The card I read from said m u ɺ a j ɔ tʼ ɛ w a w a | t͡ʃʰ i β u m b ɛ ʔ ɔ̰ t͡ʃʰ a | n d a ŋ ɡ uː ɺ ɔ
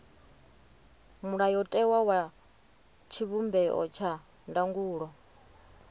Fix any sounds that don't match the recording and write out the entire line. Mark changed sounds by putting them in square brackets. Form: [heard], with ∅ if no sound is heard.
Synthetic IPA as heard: m u ɺ a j ɔ tʼ ɛ w a w a | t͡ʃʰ i β u m b ɛ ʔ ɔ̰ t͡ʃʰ a | n d a ŋ ɡ uː ɺ ɔ